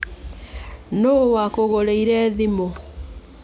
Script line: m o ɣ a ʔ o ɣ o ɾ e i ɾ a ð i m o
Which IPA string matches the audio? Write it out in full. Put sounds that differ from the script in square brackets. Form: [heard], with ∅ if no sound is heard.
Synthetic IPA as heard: [n] o [w] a [k] o ɣ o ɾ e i ɾ [ɛ] ð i m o